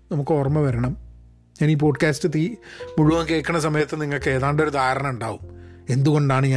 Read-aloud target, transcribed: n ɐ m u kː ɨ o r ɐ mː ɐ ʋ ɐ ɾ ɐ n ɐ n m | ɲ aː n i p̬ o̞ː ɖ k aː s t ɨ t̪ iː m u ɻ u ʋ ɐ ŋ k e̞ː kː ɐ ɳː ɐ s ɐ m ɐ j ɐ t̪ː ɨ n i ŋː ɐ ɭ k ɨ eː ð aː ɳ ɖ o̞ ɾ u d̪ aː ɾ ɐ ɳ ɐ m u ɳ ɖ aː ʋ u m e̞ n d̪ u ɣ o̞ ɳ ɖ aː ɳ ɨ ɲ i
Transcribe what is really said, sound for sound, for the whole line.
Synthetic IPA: n ɐ m u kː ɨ o r ɐ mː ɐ ʋ ɐ ɾ ɐ ɳ ɐ m | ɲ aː n iː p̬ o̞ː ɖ k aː s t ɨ t̪ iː m u ɻ u ʋ ɐ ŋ k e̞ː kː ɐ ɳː ɐ s ɐ m ɐ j ɐ t̪ː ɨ n i ŋː ɐ ɭ k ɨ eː ð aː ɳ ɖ o̞ ɾ u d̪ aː ɾ ɐ ɳ ɐ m u ɳ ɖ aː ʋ u m e̞ n d̪ u ɣ o̞ ɳ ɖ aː ɳ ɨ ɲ a